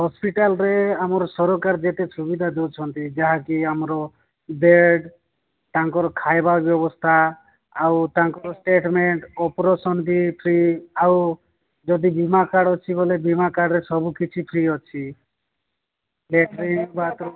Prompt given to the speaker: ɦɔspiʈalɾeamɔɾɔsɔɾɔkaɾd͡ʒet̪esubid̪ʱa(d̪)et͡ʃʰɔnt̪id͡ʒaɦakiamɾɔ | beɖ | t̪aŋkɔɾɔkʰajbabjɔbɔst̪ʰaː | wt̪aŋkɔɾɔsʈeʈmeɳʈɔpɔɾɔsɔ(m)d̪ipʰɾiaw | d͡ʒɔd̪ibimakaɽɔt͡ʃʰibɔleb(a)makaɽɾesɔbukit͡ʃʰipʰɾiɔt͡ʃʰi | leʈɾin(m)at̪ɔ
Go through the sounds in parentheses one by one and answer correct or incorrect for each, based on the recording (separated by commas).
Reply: correct, incorrect, incorrect, incorrect